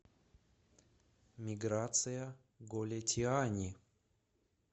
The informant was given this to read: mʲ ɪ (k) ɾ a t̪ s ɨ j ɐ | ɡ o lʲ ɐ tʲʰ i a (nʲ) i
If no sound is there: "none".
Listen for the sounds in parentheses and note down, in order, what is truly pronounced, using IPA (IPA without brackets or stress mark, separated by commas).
ɡ, nʲ